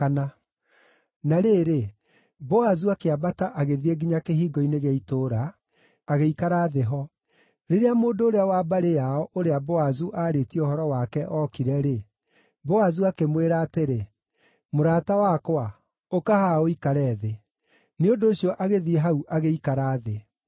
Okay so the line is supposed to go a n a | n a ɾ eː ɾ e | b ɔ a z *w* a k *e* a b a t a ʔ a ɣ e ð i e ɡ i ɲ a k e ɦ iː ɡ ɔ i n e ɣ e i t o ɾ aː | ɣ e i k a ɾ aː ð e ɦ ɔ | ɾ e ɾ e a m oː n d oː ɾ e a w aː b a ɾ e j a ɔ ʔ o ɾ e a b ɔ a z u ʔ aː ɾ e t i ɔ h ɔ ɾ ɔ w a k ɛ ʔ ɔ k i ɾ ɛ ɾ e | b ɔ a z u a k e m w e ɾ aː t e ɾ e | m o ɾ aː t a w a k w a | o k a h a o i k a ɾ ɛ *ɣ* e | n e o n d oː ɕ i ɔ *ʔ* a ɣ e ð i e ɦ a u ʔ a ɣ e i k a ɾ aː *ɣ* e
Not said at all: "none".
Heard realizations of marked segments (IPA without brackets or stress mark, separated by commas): u, e, ð, ʔ, ð